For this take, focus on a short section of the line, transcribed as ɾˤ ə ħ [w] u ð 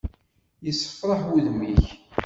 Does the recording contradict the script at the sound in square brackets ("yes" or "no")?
no